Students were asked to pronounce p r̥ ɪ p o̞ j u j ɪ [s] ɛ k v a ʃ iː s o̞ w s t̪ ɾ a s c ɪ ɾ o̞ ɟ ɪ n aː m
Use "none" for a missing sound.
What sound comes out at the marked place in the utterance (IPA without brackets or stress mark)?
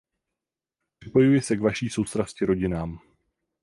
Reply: s